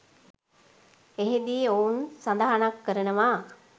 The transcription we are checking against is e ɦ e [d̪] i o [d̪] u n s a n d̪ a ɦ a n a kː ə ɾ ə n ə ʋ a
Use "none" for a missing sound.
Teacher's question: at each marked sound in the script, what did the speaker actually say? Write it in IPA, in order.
d̪, none

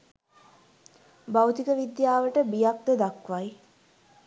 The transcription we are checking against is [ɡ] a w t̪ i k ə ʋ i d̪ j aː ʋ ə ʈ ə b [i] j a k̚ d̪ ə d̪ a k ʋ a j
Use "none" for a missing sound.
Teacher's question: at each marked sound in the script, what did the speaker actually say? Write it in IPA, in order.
b, i

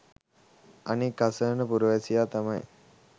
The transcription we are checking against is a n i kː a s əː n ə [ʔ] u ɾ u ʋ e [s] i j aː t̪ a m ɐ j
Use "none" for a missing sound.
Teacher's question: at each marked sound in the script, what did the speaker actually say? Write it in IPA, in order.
p, s

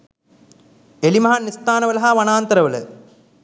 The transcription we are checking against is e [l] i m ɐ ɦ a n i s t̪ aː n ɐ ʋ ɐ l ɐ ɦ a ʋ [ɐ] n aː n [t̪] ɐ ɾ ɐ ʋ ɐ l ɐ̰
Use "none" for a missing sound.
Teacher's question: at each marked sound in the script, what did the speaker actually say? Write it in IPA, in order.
l, ɐ, t̪

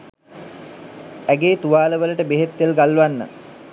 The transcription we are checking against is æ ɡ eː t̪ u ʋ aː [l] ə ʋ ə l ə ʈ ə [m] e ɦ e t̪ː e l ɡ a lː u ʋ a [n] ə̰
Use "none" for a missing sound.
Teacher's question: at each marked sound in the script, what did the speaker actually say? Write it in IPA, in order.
l, b, nː

